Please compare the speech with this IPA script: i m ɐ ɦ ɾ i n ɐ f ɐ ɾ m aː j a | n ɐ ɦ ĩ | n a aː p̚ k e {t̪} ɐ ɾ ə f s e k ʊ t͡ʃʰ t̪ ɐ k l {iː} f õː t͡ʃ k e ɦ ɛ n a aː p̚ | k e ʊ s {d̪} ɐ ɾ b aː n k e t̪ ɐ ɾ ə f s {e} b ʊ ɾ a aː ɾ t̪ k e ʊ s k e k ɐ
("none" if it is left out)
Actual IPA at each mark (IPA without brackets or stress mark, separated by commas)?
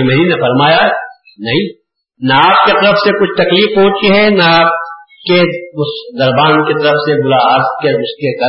t̪, iː, d̪, e